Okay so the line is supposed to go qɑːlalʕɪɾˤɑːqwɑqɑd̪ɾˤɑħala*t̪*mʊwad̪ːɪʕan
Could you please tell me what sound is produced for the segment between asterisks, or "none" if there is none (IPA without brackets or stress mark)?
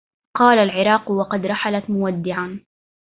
t̪